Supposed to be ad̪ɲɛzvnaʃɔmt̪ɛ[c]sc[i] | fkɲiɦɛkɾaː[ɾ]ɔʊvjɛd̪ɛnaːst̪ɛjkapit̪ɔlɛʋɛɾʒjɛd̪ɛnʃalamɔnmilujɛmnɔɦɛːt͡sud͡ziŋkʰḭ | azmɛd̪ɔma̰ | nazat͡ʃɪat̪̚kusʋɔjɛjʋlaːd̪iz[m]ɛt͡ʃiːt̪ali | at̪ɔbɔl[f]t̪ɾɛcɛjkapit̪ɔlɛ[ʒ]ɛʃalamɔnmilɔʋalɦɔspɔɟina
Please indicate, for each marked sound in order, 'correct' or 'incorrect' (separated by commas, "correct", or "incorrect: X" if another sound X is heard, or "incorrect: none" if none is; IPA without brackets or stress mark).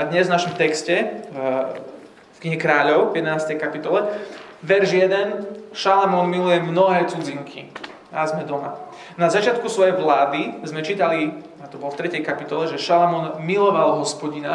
incorrect: k, incorrect: ɛ, incorrect: ʎ, correct, correct, correct